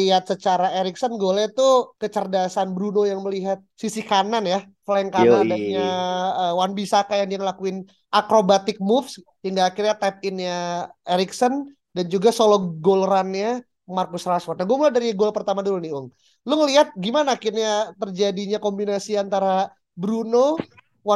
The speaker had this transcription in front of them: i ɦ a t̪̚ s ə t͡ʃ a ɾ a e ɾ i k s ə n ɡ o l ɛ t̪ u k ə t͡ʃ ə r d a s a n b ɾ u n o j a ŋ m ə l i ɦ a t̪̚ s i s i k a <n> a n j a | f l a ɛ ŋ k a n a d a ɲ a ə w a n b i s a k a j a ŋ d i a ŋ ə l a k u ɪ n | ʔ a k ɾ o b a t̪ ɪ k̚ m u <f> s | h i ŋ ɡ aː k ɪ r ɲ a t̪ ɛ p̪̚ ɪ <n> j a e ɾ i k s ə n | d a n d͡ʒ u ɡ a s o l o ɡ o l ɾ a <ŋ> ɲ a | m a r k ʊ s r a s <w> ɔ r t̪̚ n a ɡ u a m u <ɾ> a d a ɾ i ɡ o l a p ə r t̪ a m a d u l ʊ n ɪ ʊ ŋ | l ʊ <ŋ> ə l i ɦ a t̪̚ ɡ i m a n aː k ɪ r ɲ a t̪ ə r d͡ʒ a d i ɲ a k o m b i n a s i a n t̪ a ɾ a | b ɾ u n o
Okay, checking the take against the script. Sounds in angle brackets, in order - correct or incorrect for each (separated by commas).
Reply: correct, correct, correct, incorrect, correct, incorrect, correct